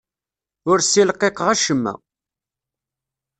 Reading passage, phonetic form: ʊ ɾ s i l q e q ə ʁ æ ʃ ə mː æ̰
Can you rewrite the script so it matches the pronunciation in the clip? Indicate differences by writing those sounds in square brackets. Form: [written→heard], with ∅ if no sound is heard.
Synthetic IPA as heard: ʊ ɾ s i l q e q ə ʁ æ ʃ ə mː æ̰